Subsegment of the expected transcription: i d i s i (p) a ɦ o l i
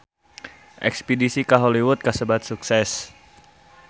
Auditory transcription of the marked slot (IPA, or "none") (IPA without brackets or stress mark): k